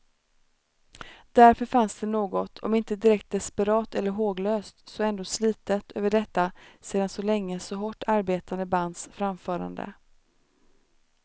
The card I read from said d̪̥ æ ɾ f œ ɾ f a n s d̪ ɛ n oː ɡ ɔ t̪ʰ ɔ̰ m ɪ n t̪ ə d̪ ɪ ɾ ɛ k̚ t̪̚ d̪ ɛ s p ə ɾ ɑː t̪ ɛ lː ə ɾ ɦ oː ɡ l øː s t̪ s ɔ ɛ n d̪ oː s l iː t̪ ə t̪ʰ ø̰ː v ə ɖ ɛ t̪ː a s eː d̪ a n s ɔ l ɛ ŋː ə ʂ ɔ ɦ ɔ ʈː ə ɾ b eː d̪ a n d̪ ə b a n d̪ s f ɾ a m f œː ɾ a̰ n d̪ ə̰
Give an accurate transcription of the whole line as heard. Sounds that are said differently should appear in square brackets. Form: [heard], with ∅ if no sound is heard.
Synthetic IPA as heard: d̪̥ æ ɾ f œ ɾ f a n s d̪ ɛ n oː ɡ ɔ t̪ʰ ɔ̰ m ɪ n t̪ ə d̪ ɪ ɾ ɛ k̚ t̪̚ d̪ ɛ s p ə ɾ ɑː t̪ ɛ lː ə ɾ ɦ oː ɡ l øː s t̪ s ɔ ɛ n d̪ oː s l iː t̪ ə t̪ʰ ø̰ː v ə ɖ ɛ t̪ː a s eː d̪ a n s ɔ l ɛ ŋː ə [s] ɔ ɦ ɔ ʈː [a] ɾ b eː [t̪] a n d̪ ə b a n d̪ s f ɾ a m f œː ɾ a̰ n d̪ ə̰